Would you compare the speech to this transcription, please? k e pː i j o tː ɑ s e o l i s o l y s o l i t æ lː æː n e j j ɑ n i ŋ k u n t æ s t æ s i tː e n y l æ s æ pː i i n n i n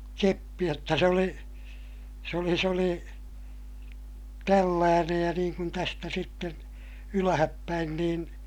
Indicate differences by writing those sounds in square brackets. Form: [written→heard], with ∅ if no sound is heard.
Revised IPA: k e pː i j o tː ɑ s e o l i s o l [y→i] s o l i t æ lː æː n e j j ɑ n [i→iː] ŋ k u n t æ s t æ s i tː e n y l æ [s→h] æ pː [i→æ] i n n [i→iː] n

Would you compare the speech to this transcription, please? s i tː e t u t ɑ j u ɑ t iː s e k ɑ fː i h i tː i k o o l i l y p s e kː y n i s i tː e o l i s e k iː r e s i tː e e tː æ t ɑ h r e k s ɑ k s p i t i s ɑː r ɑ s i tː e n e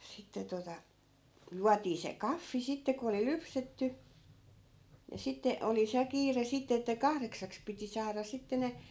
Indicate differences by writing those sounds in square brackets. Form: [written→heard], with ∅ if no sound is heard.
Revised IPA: s i tː e t [u→o] t ɑ j u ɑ t iː s e k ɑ fː i [h→s] i tː [i→e] k o o l i l y p s e [kː→tː] y n i s i tː e o l i s e k iː r e s i tː e e tː æ [t→k] ɑ h r e k s ɑ k s p i t i s ɑː r ɑ s i tː e n e

